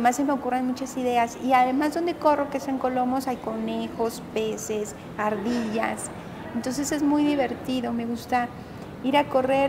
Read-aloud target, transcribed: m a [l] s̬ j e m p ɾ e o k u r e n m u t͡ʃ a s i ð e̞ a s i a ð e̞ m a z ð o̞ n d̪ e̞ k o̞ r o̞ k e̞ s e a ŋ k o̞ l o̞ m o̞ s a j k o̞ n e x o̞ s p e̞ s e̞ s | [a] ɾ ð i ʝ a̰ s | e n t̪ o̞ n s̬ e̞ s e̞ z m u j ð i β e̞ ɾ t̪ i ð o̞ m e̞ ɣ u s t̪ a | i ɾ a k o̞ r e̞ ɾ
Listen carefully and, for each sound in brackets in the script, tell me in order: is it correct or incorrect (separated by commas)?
incorrect, correct